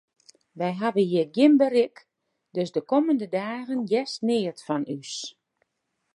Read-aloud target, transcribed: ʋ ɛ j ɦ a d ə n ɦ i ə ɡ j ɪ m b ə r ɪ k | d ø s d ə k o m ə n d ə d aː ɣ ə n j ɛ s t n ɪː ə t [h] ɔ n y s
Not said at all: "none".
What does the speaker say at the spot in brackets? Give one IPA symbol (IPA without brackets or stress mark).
f